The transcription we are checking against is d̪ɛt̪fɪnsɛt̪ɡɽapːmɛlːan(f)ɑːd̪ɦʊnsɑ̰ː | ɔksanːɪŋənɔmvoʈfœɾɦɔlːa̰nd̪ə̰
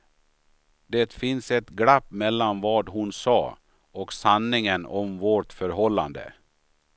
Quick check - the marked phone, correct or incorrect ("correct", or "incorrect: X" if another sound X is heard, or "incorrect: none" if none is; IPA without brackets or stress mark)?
incorrect: v